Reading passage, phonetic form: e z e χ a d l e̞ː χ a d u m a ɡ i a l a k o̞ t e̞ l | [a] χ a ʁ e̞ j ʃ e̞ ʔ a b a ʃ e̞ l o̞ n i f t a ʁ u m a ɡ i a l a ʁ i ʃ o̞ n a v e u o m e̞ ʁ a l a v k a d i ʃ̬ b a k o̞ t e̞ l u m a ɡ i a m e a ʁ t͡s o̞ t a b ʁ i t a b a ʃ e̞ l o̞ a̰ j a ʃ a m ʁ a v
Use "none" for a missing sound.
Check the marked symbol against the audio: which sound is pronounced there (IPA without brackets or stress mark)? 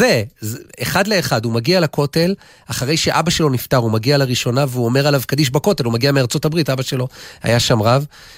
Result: a